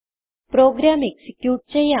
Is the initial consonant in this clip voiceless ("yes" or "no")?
yes